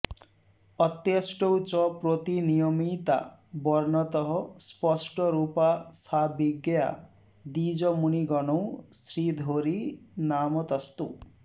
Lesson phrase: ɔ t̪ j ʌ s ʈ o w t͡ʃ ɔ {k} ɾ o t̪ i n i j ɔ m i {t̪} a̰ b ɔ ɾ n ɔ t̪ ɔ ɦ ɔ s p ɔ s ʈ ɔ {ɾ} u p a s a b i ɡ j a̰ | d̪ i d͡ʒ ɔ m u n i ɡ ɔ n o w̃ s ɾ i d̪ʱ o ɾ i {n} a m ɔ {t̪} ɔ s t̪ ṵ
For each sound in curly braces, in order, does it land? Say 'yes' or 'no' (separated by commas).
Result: no, yes, yes, yes, yes